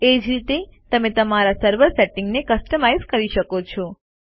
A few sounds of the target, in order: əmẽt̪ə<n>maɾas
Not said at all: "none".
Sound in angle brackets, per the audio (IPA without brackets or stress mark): none